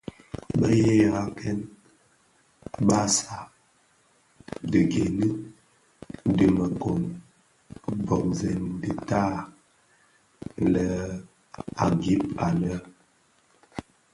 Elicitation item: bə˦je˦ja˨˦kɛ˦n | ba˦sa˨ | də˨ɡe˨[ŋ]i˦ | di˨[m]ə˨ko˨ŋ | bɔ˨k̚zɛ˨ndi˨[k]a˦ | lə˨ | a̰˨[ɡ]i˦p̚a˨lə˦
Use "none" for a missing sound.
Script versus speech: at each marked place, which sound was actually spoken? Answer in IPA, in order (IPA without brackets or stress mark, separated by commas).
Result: n, m, t, ɡ